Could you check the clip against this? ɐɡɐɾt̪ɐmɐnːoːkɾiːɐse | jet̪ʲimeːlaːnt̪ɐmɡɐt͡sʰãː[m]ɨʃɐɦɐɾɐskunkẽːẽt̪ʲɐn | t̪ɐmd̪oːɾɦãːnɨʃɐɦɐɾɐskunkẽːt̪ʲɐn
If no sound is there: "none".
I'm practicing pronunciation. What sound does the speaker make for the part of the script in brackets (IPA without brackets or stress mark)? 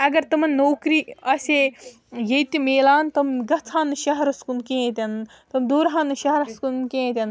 n